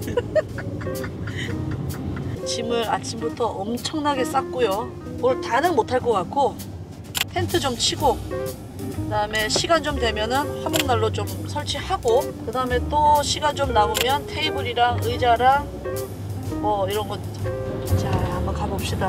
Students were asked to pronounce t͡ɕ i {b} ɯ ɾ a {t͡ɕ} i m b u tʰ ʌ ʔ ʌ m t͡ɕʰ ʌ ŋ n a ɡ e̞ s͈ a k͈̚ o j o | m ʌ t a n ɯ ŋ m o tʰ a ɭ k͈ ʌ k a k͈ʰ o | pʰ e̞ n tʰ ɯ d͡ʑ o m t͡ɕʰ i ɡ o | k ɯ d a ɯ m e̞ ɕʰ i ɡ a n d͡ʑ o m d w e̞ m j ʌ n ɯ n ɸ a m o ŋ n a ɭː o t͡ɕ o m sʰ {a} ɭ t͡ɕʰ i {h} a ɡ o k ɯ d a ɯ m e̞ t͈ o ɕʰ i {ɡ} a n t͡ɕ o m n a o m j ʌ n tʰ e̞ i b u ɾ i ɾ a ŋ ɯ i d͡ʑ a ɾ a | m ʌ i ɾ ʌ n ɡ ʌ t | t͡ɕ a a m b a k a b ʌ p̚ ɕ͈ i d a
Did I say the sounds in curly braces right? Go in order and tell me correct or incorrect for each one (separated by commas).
incorrect, incorrect, incorrect, correct, correct